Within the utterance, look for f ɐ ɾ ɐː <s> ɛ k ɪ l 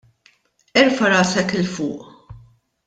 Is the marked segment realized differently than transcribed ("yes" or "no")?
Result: no